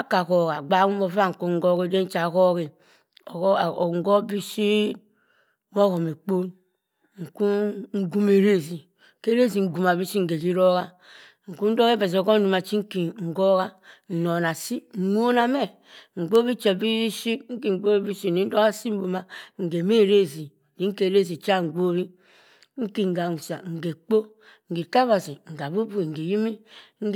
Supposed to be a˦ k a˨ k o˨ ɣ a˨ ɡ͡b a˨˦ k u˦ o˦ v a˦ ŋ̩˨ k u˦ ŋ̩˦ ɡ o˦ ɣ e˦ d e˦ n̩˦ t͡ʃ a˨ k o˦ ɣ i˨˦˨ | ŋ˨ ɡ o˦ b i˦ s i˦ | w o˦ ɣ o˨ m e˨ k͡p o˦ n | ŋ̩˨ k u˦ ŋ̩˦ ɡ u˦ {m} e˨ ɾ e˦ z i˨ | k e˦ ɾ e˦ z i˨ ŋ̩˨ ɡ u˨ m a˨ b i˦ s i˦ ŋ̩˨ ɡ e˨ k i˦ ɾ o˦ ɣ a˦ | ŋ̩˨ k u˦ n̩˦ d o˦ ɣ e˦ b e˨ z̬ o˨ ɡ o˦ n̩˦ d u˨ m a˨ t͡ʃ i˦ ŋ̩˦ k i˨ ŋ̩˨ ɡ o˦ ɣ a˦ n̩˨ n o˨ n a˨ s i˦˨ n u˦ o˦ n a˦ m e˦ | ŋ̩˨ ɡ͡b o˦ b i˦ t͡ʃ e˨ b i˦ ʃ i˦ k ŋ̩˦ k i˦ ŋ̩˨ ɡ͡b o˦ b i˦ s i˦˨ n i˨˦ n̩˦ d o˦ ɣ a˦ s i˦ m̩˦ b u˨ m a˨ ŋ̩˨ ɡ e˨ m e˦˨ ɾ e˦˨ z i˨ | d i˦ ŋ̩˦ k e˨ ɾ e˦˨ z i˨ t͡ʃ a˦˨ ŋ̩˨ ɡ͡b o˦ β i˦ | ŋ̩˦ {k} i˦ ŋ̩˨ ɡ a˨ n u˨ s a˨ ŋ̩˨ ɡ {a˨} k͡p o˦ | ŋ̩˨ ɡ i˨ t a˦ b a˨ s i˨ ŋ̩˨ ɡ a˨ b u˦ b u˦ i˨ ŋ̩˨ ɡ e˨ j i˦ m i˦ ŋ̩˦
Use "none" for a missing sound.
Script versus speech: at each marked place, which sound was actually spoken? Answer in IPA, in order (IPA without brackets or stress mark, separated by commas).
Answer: m, k, e˨